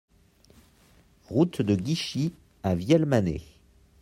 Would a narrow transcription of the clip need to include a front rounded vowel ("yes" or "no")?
no